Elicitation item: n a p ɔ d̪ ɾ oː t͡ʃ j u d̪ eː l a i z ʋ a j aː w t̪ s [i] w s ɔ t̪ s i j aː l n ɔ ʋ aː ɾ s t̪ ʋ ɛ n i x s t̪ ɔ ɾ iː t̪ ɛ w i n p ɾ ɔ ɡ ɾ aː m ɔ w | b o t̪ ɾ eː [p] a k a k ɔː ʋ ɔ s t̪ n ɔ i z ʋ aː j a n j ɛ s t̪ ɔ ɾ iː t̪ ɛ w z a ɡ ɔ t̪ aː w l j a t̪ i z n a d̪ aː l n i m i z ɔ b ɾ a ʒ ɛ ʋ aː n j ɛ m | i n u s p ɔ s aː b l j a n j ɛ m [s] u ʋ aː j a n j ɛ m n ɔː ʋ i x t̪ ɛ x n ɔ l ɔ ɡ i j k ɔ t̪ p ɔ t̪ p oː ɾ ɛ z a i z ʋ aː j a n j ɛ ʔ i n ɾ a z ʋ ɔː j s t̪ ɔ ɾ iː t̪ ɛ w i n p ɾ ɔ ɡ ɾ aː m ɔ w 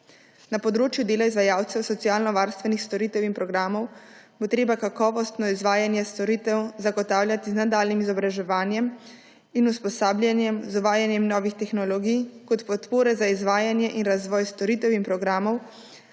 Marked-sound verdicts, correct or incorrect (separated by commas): incorrect, incorrect, incorrect